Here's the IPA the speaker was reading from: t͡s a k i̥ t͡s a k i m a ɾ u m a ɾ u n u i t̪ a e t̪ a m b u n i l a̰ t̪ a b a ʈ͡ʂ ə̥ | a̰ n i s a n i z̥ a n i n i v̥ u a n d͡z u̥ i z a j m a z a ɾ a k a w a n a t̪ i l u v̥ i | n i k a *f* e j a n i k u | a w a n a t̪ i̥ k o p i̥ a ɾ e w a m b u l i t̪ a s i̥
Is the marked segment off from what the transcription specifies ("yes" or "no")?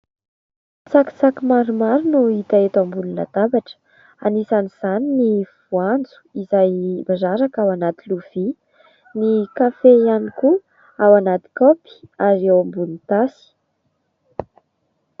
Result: no